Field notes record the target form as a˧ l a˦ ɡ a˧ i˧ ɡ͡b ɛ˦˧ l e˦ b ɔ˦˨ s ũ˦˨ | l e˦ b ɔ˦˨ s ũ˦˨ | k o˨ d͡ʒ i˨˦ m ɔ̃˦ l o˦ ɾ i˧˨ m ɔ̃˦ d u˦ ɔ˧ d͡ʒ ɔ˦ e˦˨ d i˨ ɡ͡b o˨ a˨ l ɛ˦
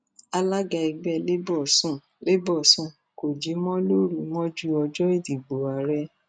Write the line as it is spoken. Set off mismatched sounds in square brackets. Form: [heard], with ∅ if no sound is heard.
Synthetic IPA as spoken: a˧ l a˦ ɡ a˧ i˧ ɡ͡b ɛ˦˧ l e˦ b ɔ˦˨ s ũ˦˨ | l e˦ b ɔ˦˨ s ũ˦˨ | k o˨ d͡ʒ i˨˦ m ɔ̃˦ l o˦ ɾ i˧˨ m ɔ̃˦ [d͡ʒ] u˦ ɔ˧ d͡ʒ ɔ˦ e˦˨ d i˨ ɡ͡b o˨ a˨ [ɾ] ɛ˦

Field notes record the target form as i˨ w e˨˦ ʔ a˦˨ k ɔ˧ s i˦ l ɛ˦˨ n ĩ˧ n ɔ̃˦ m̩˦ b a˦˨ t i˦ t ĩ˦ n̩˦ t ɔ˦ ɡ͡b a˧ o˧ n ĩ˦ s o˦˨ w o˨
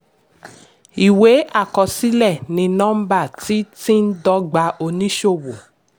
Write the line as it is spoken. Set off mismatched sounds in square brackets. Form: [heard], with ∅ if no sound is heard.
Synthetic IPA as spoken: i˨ w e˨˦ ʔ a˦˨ k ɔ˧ s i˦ l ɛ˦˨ n ĩ˧ n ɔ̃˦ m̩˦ b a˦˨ t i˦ t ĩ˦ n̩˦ [d] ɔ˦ ɡ͡b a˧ o˧ n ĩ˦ [ʃ] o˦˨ w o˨

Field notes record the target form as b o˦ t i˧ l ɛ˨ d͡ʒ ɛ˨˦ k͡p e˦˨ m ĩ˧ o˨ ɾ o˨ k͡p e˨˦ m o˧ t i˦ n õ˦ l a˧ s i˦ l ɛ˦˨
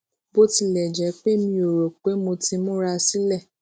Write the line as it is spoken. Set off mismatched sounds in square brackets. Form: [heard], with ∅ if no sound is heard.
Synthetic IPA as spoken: b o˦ t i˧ l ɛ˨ d͡ʒ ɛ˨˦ k͡p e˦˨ m ĩ˧ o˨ ɾ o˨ k͡p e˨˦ m o˧ t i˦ [m] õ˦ [ɾ] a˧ s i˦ l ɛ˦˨

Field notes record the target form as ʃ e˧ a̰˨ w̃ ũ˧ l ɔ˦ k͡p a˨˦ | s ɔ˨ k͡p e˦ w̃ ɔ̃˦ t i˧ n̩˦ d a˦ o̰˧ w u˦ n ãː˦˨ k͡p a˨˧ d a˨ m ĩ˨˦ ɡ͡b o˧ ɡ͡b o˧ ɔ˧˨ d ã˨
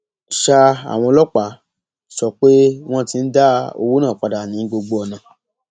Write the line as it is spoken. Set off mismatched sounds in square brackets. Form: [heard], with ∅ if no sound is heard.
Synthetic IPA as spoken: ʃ [a˧] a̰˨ w̃ [ɔ̃˧] l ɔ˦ k͡p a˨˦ | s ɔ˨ k͡p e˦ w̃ ɔ̃˦ t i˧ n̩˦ d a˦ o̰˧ w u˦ n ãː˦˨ k͡p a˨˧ d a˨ [n] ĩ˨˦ ɡ͡b o˧ ɡ͡b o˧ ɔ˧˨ [n] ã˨

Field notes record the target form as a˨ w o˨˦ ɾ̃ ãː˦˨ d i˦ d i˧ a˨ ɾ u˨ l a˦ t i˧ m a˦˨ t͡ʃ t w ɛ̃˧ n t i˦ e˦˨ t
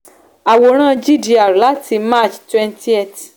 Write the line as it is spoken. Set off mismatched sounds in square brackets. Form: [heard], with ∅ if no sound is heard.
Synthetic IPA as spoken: a˨ w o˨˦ ɾ̃ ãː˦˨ [d͡ʒ] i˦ d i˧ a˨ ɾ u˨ l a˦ t i˧ m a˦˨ t͡ʃ t w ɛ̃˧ n t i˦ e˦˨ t

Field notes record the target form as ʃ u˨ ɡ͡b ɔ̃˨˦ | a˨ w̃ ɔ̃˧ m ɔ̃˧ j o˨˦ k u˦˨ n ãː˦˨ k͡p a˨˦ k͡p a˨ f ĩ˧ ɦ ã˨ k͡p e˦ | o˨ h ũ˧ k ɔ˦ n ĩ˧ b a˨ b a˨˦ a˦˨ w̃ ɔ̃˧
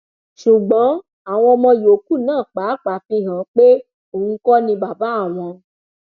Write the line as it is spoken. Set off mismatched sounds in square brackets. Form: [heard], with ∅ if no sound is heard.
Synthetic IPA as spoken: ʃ u˨ ɡ͡b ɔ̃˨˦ | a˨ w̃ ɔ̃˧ m ɔ̃˧ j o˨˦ k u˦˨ n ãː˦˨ k͡p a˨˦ k͡p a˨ f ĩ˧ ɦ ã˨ k͡p e˦ | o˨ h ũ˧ k ɔ˦ n ĩ˧ b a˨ b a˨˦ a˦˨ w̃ ɔ̃˧

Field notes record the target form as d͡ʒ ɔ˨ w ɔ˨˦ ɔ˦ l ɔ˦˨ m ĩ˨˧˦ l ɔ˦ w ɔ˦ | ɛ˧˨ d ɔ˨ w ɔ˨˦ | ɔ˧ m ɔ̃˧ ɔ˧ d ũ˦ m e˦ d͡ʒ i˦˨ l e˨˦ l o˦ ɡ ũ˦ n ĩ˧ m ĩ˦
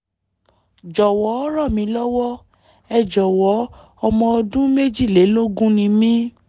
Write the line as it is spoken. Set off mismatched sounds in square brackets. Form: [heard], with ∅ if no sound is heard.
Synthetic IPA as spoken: d͡ʒ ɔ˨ w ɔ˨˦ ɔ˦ [ɾ] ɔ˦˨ m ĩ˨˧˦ l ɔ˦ w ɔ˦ | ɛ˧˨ [d͡ʒ] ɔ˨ w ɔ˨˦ | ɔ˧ m ɔ̃˧ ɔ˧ d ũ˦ m e˦ d͡ʒ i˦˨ l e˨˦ l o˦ ɡ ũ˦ n ĩ˧ m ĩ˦

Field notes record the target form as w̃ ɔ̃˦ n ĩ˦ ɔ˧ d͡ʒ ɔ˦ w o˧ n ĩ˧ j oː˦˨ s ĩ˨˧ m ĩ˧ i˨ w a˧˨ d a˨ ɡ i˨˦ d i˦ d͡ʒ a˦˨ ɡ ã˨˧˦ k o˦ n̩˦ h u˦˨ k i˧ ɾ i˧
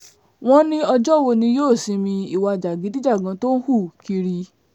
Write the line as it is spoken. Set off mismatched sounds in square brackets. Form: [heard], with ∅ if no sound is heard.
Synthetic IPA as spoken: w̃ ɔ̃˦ n ĩ˦ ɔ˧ d͡ʒ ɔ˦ w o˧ n ĩ˧ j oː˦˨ s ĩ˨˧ m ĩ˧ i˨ w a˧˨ [d͡ʒ] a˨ ɡ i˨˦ d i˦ d͡ʒ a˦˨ ɡ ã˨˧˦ [t] o˦ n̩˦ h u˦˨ k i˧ ɾ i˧

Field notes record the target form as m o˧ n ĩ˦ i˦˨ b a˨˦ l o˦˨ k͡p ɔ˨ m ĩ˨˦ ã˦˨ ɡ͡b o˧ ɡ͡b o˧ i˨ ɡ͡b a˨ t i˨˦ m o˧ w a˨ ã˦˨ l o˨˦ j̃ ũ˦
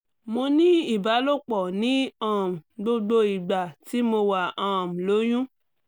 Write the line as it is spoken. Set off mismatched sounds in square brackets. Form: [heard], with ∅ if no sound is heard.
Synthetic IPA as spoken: m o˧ n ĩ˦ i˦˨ b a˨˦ l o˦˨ k͡p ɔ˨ [n] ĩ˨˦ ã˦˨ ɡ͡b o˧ ɡ͡b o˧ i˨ ɡ͡b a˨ t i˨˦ m o˧ w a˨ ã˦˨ l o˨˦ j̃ ũ˦

